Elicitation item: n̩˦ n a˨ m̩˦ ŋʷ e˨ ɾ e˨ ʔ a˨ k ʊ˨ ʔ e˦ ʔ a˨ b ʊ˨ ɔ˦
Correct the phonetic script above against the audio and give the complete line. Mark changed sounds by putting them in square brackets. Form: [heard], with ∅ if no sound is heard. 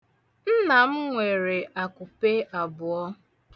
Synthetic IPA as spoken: n̩˦ n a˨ m̩˦ ŋʷ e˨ ɾ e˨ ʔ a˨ k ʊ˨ [p] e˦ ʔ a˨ b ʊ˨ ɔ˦